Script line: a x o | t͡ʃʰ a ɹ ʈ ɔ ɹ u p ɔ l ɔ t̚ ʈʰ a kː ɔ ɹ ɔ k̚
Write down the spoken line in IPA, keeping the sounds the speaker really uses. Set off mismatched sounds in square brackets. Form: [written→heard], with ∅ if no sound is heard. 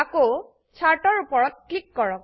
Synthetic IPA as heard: a [x→k] o | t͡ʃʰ a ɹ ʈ ɔ ɹ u p ɔ [l→ɹ] ɔ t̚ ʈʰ [a→i] kː ɔ ɹ ɔ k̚